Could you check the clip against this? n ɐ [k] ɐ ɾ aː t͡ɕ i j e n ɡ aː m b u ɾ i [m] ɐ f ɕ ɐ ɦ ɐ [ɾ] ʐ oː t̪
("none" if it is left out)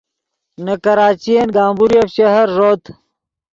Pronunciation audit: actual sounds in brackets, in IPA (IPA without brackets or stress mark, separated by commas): k, none, ɾ